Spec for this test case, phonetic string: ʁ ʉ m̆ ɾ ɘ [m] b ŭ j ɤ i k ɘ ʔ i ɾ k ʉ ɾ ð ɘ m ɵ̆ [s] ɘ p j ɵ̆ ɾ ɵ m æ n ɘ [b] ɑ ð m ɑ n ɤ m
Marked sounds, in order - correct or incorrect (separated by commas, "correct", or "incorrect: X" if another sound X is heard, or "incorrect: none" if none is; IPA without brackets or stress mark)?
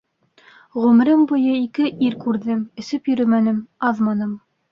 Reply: correct, correct, incorrect: m